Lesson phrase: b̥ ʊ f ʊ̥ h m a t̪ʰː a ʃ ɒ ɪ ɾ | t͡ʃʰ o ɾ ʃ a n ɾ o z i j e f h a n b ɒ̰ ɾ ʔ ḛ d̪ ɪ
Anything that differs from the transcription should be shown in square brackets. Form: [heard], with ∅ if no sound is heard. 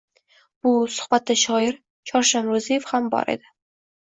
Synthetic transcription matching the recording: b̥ ʊ [s] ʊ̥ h [b] a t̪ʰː a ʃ ɒ ɪ ɾ | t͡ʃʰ [ɒ] ɾ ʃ a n ɾ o z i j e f h a [m] b ɒ̰ ɾ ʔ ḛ d̪ ɪ